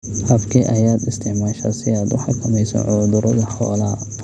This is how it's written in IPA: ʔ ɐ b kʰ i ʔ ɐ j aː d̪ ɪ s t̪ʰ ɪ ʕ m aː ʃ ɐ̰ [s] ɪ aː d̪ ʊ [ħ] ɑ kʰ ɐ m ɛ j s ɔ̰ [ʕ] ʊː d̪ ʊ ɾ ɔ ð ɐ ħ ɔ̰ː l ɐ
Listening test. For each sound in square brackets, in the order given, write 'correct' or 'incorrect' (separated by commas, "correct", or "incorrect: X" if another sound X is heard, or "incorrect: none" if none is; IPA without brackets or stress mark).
correct, correct, correct